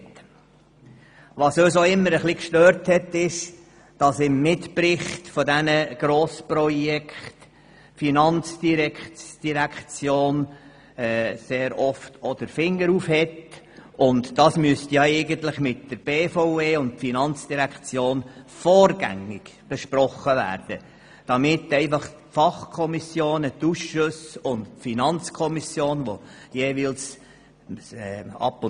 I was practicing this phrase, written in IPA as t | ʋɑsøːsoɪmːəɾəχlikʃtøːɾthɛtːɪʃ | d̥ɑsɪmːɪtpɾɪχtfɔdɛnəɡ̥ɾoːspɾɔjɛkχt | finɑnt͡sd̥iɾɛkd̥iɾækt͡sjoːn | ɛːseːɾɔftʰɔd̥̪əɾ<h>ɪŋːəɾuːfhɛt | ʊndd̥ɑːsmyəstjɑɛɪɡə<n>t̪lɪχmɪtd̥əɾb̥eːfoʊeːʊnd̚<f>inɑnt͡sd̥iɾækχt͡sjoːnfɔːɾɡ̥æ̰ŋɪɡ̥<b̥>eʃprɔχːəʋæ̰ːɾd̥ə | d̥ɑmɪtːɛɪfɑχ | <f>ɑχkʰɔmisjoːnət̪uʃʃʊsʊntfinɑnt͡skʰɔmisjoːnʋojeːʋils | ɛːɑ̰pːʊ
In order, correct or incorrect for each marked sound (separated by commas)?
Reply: incorrect, correct, correct, correct, correct